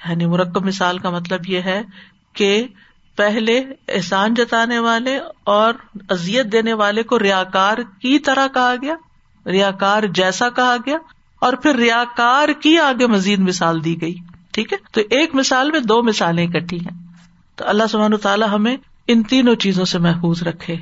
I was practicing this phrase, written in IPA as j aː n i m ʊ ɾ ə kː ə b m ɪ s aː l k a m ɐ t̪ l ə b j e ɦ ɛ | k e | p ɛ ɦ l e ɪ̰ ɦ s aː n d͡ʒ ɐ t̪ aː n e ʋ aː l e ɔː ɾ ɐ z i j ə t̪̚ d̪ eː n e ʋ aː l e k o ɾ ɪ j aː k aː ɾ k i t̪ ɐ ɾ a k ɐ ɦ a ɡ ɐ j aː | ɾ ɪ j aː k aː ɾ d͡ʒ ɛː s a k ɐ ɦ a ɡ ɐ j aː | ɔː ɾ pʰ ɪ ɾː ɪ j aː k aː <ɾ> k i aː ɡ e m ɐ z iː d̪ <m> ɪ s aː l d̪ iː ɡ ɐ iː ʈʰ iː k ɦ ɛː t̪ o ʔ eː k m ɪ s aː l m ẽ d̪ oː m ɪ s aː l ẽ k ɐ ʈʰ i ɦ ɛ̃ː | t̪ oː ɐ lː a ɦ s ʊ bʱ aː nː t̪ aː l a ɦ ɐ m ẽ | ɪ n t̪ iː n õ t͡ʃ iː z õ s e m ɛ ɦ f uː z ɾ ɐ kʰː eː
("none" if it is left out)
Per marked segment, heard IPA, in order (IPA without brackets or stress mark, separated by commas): ɾ, m